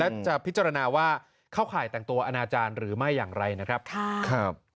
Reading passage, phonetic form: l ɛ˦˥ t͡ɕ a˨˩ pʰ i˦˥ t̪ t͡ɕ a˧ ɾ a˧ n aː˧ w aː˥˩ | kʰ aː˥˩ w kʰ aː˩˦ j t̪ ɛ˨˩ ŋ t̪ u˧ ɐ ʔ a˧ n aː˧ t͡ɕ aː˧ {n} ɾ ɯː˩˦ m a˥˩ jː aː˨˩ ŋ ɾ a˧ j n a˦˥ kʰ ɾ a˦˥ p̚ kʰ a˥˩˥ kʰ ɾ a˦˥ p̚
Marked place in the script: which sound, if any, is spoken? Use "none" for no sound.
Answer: n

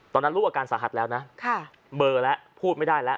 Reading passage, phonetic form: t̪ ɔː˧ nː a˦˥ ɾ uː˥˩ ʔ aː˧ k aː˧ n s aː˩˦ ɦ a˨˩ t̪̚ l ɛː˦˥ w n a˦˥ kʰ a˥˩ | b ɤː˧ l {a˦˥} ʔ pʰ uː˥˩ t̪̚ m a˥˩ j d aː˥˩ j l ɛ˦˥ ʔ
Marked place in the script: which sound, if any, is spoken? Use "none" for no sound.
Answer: ɛ˦˥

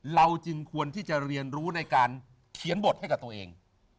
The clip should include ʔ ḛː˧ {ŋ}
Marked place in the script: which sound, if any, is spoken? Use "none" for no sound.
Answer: ŋ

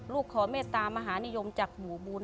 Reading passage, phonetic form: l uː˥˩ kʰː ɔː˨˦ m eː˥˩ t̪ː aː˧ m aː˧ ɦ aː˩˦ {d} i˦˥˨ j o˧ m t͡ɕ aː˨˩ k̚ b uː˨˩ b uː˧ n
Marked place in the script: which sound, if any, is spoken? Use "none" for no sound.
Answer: n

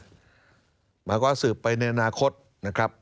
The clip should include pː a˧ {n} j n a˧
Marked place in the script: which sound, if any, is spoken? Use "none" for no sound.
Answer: none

